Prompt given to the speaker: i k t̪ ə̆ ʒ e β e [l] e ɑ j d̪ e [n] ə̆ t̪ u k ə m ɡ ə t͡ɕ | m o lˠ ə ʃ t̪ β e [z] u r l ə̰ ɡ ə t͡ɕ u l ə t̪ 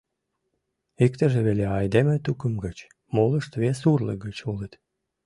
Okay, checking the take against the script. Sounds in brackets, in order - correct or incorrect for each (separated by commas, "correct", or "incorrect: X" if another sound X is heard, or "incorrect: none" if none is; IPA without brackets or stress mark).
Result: correct, incorrect: m, incorrect: s